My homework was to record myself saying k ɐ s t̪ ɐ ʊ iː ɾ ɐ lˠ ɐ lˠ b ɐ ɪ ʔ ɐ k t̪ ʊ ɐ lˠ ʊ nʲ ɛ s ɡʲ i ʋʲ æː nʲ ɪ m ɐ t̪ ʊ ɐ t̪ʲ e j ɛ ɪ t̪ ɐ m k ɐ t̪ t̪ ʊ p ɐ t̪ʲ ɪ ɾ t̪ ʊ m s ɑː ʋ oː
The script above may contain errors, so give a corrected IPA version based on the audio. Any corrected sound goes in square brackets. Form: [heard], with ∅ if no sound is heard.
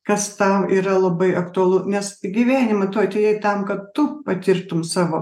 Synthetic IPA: k ɐ s t̪ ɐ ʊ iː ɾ ɐ lˠ ɐ [∅] b ɐ ɪ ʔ ɐ k t̪ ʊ ɐ lˠ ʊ nʲ ɛ s ɡʲ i ʋʲ æː nʲ ɪ m ɐ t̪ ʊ ɐ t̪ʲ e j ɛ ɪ t̪ ɐ m k ɐ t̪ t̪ ʊ p ɐ t̪ʲ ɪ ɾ t̪ ʊ m s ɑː ʋ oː